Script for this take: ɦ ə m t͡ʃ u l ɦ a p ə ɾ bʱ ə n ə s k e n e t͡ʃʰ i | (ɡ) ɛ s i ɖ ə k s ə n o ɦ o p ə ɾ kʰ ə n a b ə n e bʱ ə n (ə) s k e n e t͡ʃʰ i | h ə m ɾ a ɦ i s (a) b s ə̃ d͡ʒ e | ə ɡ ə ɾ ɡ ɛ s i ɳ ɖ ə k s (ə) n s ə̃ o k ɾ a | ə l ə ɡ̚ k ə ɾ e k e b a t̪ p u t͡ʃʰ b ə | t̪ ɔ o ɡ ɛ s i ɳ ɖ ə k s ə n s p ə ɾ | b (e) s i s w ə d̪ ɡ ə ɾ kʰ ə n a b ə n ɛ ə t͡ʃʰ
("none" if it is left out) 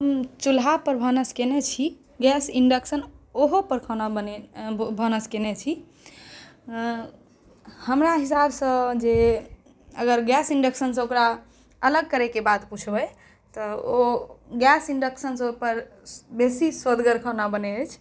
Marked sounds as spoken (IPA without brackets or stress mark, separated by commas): ɡ, ə, a, ə, e